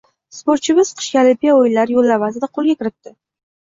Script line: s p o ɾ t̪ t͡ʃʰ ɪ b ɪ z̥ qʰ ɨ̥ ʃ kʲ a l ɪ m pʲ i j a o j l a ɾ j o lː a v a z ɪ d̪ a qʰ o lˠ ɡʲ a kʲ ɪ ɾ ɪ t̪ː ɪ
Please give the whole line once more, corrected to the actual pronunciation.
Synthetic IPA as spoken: s p o ɾ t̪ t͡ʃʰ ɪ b ɪ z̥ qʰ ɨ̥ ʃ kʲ a l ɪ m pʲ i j a o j l a ɾ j o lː a v a z ɪ d̪ a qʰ o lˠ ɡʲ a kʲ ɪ ɾ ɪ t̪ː ɪ

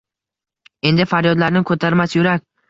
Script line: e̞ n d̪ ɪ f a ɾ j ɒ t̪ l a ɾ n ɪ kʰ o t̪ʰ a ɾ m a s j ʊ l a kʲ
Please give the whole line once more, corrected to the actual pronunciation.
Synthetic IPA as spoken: e̞ n d̪ ɪ f a ɾ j ɒ d̪ l a ɾ n ɪ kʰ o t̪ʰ a ɾ m a s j ʊ ɾ a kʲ

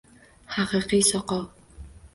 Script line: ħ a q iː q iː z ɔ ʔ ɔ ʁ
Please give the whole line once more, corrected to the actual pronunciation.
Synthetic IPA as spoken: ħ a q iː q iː s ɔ q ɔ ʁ

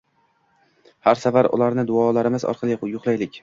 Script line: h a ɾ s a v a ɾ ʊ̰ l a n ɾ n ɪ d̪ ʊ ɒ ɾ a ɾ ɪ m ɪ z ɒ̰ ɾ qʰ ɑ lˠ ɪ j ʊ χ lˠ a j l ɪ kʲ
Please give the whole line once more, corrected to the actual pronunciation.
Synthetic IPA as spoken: h a ɾ s a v a ɾ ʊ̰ l a ɾ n ɪ d̪ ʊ ɒ l a ɾ ɪ m ɪ z ɒ̰ ɾ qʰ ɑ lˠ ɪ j ʊ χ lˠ a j l ɪ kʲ

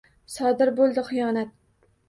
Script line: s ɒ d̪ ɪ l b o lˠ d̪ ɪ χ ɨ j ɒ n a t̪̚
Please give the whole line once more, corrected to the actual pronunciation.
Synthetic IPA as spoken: s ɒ d̪ ɪ ɾ b o lˠ d̪ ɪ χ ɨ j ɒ n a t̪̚

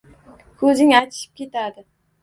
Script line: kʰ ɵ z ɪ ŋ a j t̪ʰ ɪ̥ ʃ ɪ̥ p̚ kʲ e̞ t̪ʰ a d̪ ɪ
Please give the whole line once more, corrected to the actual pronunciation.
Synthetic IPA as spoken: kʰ ɵ z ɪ ŋ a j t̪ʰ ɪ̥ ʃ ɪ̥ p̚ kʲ e̞ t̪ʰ a d̪ ɪ

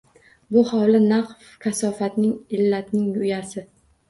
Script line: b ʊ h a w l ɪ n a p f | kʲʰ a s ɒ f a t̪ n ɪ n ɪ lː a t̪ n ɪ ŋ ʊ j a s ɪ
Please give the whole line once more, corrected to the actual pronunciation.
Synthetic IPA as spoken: b ʊ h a w l ɪ n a q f | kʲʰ a s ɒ f a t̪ n ɪ ŋ ɪ lː a t̪ n ɪ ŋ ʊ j a s ɪ

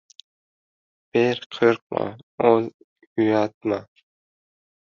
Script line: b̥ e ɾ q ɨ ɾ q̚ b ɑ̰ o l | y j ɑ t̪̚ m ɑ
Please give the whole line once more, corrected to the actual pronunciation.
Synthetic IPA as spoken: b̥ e ɾ qʰ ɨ ɾ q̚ m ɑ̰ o l | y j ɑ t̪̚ m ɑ

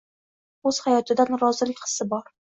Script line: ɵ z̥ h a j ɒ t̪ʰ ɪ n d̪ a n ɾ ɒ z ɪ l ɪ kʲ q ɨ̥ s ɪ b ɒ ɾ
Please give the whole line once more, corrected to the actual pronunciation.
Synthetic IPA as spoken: ɵ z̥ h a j ɒ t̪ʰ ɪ d̪ a n ɾ ɒ z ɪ l ɪ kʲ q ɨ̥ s ɪ b ɒ ɾ

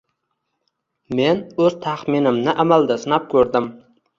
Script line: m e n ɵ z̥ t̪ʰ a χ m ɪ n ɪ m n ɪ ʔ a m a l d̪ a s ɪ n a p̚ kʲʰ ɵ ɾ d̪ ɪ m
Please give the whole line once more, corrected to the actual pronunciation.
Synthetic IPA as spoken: m e n ɵ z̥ t̪ʰ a χ m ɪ n ɪ m n ɪ ʔ a m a l d̪ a s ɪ n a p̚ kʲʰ ɵ ɾ d̪ ɪ m

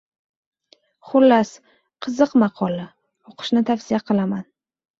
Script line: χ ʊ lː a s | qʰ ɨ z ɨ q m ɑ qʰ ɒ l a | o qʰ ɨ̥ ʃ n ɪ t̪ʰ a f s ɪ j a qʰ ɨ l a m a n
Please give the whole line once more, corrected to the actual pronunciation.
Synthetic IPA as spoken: χ ʊ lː a s | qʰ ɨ z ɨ q m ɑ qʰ ɒ l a | o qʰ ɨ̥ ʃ n ɪ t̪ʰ a f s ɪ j a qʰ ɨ l a m a n

